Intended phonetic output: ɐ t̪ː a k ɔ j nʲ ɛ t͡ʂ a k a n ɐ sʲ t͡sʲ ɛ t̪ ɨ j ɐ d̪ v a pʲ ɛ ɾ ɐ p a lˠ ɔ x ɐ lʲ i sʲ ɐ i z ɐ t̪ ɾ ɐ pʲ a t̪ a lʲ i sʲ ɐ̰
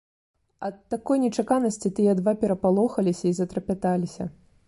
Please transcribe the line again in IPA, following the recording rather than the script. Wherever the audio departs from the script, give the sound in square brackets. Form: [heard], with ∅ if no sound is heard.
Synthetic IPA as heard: ɐ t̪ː a k ɔ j nʲ ɛ t͡ʂ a k a n ɐ sʲ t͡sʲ [i] t̪ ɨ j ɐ d̪ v a pʲ ɛ ɾ ɐ p a lˠ ɔ x ɐ lʲ i sʲ ɐ i z ɐ t̪ ɾ ɐ pʲ a t̪ a lʲ i sʲ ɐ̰